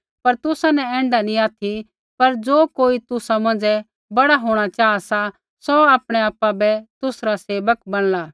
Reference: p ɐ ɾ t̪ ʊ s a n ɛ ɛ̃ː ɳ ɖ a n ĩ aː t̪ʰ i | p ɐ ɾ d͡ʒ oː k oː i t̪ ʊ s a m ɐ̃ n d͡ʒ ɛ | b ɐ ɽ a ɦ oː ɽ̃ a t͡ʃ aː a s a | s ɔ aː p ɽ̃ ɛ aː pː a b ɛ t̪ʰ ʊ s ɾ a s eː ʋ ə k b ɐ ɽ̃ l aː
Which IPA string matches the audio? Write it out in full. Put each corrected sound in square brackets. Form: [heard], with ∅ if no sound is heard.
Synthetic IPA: p ɐ ɾ t̪ ʊ s a n ɛ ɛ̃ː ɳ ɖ a n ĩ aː t̪ʰ i | p ɐ ɾ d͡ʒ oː k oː i t̪ ʊ s a m ɐ̃ n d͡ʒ ɛ | b ɐ ɽ a ɦ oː ɽ̃ a t͡ʃ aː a s a | s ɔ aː p ɽ̃ ɛ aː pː a b ɛ [t̪] ʊ s ɾ a s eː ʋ ə k b ɐ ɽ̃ l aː